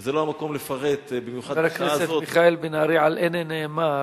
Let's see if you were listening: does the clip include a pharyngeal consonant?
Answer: yes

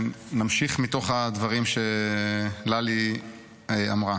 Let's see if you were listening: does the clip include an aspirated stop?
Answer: no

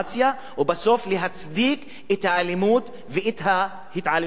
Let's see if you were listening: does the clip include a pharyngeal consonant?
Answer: yes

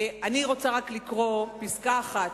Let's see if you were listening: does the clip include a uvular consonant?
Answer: yes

